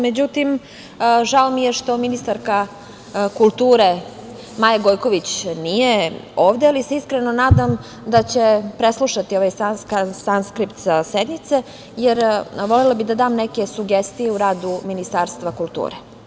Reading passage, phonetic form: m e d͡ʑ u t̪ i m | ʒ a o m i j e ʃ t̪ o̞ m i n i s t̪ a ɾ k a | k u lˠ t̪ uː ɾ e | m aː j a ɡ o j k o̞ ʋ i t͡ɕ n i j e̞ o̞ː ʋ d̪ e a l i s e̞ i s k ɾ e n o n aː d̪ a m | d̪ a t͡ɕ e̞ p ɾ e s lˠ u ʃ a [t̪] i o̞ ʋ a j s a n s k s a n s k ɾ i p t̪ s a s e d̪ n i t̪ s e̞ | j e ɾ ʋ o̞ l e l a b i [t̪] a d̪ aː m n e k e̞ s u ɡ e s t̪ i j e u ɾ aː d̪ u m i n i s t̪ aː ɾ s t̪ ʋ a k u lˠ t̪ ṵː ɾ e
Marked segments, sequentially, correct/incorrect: correct, incorrect: d̪

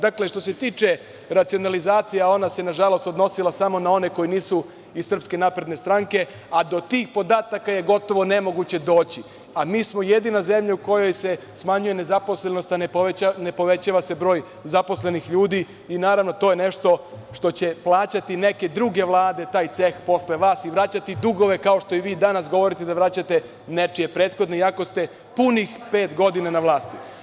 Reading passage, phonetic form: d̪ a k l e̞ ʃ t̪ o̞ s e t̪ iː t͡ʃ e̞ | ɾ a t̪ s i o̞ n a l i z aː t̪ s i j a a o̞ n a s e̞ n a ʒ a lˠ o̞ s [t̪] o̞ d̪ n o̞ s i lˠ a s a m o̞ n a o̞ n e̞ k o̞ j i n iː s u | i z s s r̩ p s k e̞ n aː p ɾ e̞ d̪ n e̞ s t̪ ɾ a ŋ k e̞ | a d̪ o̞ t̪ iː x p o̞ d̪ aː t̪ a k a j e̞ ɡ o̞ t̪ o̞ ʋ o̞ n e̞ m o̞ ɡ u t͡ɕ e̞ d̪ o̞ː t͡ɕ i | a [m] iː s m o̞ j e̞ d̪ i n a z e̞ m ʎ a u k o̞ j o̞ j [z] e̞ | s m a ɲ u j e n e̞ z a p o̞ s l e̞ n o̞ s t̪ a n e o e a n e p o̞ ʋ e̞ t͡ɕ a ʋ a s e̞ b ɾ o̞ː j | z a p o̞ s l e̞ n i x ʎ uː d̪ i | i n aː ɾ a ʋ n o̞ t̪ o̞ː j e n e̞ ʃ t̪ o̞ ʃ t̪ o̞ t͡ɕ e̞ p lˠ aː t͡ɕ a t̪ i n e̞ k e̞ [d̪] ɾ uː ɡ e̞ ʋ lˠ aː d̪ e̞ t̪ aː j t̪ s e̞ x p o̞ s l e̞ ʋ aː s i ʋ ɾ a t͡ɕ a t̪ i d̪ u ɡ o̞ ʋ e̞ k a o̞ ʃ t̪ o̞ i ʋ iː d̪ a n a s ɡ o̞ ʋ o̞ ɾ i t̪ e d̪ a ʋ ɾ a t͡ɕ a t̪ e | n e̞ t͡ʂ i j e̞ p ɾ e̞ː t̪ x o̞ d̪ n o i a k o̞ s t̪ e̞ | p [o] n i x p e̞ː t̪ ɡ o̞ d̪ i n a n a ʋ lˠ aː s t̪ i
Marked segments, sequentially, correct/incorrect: correct, correct, incorrect: s, correct, incorrect: u

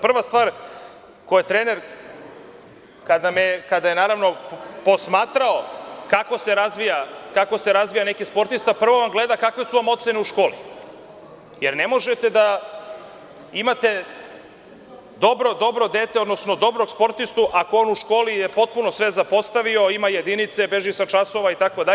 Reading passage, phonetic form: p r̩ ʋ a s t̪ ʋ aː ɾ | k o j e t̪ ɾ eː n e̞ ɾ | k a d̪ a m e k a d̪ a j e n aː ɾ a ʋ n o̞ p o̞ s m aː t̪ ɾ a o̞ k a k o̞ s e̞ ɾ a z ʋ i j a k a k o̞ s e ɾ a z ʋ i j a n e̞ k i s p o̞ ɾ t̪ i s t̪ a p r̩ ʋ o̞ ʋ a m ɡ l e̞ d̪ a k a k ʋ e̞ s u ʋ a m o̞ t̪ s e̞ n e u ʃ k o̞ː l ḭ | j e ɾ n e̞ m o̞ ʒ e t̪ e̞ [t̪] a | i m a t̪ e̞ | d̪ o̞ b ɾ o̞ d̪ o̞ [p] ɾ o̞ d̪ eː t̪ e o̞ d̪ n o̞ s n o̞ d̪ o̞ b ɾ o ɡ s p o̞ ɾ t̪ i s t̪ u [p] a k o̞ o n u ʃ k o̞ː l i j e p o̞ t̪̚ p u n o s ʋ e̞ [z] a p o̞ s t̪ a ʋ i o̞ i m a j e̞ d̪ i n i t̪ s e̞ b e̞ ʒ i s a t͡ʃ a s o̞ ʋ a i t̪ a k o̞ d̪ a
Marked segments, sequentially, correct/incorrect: incorrect: d̪, incorrect: b, incorrect: ʔ, correct

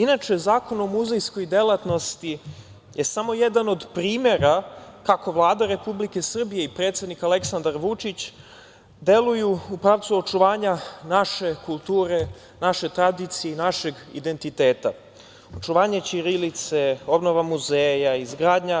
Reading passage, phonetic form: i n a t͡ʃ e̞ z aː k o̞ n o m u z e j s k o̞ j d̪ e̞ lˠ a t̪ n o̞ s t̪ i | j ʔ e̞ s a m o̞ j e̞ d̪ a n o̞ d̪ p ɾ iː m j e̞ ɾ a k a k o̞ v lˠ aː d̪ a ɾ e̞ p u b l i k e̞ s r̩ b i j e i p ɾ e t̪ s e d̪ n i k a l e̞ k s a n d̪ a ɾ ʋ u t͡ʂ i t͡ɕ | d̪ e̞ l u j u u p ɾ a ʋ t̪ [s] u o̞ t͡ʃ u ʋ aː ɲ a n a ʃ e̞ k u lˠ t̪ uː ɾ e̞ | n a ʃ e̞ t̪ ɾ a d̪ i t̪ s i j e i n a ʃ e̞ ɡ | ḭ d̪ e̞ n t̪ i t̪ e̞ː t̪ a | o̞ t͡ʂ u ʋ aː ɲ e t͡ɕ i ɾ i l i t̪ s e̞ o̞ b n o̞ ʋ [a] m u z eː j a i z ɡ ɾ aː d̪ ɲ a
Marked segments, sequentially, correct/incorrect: correct, correct

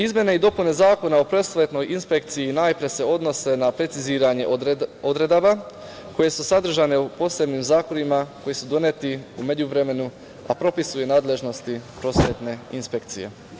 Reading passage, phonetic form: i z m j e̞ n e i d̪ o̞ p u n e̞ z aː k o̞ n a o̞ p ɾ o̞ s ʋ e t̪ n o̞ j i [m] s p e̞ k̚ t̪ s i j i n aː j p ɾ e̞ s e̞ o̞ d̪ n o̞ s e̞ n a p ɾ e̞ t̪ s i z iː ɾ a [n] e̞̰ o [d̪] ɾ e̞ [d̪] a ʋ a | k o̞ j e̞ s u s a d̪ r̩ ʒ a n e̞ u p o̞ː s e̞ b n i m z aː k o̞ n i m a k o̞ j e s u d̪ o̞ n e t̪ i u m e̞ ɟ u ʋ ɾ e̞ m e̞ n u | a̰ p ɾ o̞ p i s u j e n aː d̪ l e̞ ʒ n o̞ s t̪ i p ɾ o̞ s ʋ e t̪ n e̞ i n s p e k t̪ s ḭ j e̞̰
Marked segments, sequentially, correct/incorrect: incorrect: n, incorrect: ɲ, correct, correct

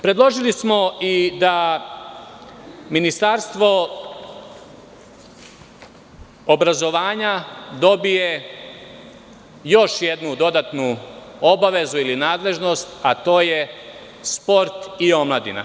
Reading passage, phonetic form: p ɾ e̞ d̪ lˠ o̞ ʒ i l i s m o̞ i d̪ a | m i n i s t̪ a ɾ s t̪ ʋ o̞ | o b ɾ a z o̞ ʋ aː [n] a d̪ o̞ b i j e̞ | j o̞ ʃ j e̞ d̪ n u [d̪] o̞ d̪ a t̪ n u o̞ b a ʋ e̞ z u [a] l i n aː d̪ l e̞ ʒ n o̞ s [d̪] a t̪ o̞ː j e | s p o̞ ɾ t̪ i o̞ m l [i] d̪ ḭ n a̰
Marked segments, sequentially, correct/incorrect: incorrect: ɲ, correct, incorrect: i, incorrect: t̪, incorrect: a

